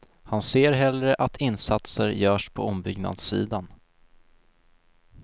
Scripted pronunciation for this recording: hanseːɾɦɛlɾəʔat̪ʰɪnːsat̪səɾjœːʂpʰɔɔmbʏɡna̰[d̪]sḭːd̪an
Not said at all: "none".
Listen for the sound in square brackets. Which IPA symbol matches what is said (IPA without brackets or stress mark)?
d̪